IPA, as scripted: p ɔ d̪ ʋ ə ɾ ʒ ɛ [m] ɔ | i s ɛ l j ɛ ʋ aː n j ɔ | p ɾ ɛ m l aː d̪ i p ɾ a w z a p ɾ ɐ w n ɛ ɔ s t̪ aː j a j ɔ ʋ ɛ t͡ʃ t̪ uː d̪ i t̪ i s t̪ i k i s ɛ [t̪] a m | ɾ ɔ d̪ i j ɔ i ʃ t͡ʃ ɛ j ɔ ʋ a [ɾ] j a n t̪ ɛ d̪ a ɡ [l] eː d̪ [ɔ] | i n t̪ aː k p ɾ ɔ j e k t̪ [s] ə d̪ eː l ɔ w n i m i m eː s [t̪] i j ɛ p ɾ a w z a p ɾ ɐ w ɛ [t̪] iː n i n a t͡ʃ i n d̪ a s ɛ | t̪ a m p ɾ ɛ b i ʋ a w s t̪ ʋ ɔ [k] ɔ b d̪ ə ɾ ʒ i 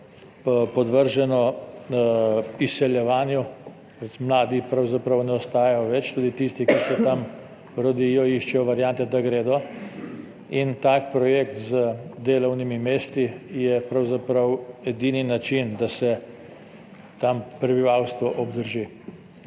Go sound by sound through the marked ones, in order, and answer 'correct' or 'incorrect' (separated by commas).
incorrect, correct, correct, incorrect, correct, incorrect, correct, incorrect, incorrect